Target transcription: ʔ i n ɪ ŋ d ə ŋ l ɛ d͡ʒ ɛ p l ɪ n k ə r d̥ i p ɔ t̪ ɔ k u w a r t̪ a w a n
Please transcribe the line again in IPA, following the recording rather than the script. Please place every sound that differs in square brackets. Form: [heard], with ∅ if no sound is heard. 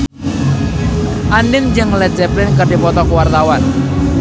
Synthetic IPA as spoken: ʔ [a] n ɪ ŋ [d͡ʒ] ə ŋ l ɛ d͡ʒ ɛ p l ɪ n k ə r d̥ i p ɔ t̪ ɔ k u w a r t̪ a w a n